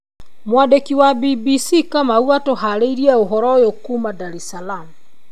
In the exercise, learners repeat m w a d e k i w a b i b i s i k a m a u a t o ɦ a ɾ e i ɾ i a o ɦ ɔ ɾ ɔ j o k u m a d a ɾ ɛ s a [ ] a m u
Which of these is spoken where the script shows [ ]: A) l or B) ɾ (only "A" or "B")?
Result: A